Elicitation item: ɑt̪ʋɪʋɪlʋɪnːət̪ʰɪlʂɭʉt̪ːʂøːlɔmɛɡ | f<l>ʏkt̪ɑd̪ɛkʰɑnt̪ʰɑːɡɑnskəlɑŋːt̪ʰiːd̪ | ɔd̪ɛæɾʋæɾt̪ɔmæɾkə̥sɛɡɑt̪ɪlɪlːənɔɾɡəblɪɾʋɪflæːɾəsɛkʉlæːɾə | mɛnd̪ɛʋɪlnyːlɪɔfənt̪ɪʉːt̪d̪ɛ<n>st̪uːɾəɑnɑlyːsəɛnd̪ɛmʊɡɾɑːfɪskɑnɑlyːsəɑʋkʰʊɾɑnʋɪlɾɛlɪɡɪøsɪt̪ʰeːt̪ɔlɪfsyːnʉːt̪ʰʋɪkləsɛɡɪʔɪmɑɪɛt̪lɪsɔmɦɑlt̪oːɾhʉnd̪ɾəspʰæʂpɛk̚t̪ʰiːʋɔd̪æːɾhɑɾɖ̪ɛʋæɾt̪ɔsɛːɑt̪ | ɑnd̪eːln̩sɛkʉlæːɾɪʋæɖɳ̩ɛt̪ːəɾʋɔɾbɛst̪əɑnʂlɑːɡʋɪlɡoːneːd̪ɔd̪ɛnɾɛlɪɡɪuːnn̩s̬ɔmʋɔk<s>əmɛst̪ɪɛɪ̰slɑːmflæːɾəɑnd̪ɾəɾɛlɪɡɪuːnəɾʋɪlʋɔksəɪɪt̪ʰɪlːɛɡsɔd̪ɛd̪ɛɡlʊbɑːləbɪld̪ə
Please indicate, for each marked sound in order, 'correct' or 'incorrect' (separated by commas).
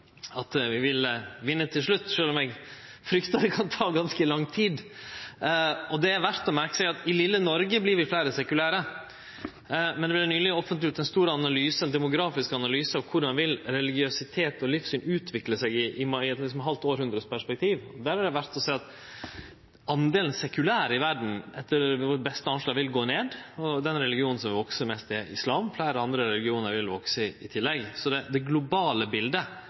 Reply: incorrect, correct, correct